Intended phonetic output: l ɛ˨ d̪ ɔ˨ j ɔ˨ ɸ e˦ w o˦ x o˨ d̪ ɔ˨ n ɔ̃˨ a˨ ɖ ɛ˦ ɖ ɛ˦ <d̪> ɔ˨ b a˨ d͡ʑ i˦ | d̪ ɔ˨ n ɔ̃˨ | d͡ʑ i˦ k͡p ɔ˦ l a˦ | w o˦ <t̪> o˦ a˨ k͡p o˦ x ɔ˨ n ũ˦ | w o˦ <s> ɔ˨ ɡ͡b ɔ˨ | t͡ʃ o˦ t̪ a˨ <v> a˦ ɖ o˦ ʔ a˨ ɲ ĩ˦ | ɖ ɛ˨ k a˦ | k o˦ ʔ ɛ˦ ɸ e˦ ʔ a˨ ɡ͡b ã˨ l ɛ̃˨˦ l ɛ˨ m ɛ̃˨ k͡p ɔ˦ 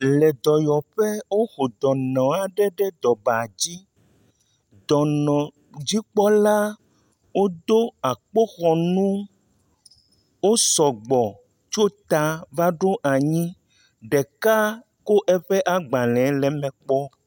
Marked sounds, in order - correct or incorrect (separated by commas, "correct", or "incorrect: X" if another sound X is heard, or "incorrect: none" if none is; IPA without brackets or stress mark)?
correct, incorrect: d̪, correct, correct